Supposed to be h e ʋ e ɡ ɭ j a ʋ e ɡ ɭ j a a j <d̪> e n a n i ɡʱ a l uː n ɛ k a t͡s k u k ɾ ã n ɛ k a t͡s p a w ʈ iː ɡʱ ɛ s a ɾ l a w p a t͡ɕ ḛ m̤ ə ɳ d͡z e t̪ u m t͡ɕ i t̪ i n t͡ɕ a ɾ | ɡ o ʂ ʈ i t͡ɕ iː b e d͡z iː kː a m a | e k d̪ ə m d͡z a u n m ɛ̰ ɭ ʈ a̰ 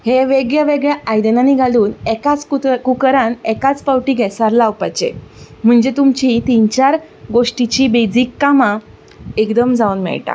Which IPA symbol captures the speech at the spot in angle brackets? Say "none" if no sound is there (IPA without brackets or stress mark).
d̪